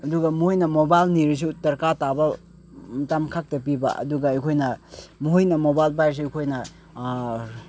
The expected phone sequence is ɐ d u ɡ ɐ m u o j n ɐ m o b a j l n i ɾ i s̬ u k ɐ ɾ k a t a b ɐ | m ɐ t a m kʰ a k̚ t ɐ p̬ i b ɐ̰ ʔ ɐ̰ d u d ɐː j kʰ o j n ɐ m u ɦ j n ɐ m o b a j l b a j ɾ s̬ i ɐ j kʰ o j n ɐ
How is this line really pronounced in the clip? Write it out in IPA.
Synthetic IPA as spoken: ɐ d u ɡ ɐ m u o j n ɐ m o b a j l n i ɾ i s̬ u t ɐ ɾ k a t a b ɐ | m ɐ t a m kʰ a k̚ t ɐ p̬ i b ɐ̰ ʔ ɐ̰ d u ɡ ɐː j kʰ o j n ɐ m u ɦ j n ɐ m o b a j l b a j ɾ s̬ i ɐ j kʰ o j n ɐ